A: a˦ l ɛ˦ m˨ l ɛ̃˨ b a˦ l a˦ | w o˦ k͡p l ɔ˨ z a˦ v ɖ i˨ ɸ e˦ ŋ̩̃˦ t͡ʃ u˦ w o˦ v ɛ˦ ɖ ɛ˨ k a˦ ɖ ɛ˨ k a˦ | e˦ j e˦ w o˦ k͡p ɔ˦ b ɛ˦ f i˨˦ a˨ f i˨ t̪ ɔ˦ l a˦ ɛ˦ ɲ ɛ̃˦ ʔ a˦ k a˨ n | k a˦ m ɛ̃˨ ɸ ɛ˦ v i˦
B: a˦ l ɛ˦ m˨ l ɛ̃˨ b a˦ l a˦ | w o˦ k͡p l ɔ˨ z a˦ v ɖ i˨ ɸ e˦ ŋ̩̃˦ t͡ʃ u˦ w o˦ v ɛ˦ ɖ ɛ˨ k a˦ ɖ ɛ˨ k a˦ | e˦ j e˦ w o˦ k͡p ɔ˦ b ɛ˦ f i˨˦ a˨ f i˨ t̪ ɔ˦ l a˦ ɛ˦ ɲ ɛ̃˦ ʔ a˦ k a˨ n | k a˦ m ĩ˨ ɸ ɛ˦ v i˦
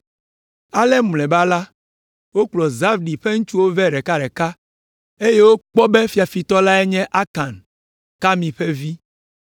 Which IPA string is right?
B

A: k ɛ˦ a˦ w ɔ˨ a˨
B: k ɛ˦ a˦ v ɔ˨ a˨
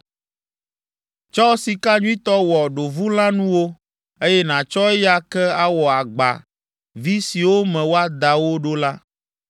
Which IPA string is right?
A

